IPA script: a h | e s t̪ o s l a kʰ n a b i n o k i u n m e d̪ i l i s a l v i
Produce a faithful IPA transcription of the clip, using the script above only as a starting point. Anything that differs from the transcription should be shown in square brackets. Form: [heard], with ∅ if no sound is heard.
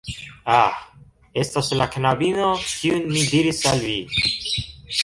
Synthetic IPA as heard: a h | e s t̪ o s l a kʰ n a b i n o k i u n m [i] d̪ i [ɾ] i s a l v i

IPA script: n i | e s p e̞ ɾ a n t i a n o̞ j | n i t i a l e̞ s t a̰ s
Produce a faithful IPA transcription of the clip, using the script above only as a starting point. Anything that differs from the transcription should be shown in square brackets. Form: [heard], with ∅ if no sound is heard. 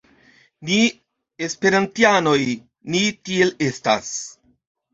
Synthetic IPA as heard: n i | e s p e̞ ɾ a n t i a n o̞ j | n i t i [e] l e̞ s t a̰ s

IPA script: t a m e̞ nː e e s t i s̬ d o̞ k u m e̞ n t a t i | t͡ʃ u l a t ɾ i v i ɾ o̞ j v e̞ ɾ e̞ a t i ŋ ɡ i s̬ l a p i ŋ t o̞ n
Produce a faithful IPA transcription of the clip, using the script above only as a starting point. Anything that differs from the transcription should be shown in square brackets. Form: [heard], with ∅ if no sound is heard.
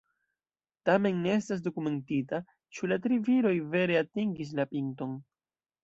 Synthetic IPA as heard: t a m e̞ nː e e s t [a] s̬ d o̞ k u m e̞ n t [i] t [a] | t͡ʃ u l a t ɾ i v i ɾ o̞ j v e̞ ɾ e̞ a t i ŋ ɡ i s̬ l a p i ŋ t o̞ n

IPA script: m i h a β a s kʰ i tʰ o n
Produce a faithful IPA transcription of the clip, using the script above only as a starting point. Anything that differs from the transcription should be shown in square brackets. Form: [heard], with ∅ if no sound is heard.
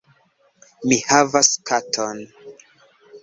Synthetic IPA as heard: m i h a [v] a s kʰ [a] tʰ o n

